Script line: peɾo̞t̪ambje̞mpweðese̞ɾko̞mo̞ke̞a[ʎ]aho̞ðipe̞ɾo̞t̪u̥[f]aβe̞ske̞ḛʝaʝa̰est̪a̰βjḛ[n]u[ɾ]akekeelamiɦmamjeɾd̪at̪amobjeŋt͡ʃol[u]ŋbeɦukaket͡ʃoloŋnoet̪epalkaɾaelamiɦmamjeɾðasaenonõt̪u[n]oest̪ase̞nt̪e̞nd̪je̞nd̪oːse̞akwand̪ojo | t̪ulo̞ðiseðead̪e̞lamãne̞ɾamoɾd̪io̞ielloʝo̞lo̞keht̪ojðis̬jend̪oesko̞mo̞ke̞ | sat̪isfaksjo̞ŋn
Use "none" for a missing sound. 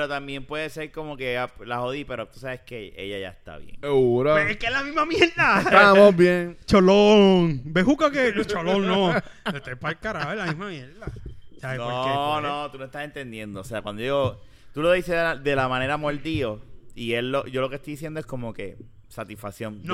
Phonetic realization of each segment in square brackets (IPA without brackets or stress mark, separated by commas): l, s, ŋ, ɾ, o, n